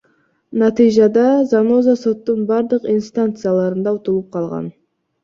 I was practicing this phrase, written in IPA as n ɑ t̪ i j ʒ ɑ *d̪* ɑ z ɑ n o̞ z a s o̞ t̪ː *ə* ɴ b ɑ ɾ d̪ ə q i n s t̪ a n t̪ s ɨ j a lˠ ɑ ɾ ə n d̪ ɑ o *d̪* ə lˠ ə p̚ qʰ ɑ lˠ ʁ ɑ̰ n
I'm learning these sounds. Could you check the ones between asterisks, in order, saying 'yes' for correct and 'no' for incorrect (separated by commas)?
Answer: yes, yes, no